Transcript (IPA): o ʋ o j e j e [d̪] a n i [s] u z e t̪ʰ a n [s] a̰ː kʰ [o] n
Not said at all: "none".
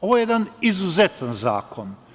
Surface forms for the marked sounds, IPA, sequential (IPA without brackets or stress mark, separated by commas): d̪, z, z, o